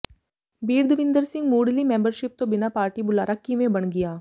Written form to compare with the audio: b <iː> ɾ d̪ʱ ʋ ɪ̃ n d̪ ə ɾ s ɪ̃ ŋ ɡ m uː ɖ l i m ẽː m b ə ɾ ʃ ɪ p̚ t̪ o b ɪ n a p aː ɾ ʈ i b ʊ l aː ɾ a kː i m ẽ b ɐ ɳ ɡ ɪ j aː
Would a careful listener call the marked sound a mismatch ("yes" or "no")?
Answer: no